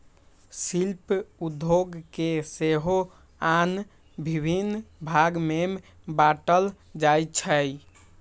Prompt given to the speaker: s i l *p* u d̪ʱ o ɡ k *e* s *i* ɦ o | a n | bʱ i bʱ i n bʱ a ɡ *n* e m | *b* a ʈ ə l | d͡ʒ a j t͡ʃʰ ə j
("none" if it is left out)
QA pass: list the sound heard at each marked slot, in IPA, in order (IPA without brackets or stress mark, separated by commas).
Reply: p, e, e, m, b